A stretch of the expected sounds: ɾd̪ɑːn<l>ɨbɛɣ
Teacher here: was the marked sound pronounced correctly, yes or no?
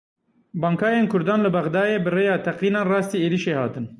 yes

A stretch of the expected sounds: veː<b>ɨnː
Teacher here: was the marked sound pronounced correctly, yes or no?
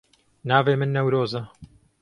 no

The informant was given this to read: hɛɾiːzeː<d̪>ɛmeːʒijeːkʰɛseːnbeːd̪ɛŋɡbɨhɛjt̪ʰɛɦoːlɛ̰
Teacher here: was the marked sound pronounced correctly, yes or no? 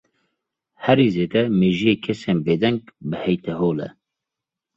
yes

